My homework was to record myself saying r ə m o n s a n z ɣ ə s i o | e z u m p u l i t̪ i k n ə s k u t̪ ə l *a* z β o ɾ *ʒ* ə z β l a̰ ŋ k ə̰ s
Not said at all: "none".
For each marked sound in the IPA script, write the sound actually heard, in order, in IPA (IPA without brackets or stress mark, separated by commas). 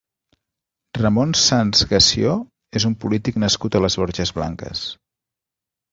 ə, ʒ